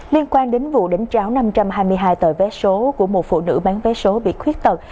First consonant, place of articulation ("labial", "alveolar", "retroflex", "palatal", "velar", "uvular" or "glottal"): alveolar